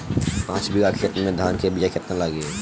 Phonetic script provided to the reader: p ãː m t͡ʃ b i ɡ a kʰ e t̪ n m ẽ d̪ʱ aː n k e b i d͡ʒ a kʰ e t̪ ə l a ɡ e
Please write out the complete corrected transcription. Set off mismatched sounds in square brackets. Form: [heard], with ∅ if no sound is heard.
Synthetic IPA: p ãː [∅] t͡ʃ b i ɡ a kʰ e t̪ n m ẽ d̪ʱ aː n k e b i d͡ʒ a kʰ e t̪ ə l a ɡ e